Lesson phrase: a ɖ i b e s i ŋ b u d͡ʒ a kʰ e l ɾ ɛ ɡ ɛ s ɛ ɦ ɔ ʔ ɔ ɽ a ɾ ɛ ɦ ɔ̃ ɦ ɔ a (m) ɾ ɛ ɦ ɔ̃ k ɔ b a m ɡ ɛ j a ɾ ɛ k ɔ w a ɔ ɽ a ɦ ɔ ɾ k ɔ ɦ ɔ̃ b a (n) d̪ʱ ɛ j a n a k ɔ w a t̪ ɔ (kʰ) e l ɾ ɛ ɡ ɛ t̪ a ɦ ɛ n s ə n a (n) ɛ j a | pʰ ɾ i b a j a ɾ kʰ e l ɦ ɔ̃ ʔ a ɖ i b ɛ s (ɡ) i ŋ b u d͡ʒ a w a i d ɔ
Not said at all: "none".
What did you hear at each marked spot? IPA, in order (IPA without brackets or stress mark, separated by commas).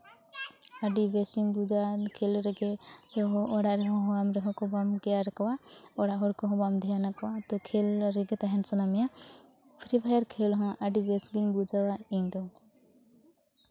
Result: m, m, kʰ, m, ɡ